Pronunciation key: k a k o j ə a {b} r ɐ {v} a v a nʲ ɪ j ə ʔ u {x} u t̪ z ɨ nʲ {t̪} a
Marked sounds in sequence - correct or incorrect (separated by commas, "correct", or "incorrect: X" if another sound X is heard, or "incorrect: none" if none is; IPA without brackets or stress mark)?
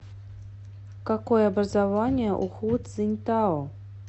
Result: correct, incorrect: z, correct, correct